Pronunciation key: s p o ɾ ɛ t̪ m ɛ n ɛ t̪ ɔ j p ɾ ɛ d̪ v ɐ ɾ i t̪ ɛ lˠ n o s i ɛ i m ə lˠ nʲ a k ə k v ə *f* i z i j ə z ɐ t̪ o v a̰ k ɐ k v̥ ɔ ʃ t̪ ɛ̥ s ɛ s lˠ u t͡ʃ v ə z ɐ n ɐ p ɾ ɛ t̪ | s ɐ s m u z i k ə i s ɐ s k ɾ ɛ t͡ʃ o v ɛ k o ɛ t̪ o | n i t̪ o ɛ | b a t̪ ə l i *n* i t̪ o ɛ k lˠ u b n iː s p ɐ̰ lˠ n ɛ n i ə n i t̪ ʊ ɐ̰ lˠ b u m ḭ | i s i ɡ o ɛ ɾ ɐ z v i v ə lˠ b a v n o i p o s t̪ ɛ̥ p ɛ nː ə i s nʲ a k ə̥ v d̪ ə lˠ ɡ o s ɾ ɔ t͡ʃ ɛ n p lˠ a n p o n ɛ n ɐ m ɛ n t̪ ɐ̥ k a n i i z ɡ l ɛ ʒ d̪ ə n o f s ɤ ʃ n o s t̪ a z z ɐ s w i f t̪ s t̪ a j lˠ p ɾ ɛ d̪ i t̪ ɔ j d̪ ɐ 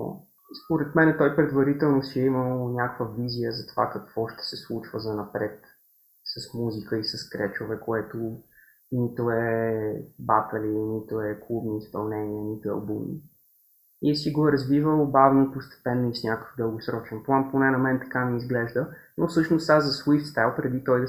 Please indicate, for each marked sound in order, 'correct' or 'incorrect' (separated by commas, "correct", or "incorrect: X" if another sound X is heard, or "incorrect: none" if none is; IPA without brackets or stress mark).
incorrect: v, correct